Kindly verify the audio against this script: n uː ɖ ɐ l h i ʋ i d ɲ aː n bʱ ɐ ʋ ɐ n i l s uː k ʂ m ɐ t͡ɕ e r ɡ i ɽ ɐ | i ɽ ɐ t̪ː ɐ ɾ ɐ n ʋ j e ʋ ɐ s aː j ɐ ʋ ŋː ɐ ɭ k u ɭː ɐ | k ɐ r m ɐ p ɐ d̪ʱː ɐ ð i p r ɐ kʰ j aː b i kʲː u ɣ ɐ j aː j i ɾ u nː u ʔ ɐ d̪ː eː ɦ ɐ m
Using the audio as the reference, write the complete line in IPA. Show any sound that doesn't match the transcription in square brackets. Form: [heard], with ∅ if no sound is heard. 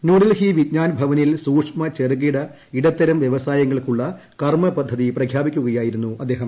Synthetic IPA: n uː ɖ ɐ l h i ʋ i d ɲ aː n bʱ ɐ ʋ ɐ n i l s uː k ʂ m ɐ t͡ɕ e r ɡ i ɽ ɐ | i ɽ ɐ t̪ː ɐ ɾ ɐ [m] ʋ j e ʋ ɐ s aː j ɐ [∅] ŋː ɐ ɭ k u ɭː ɐ | k ɐ r m ɐ p ɐ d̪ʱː ɐ ð i p r ɐ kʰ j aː b i kʲː u ɣ ɐ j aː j i ɾ u nː u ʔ ɐ d̪ː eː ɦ ɐ m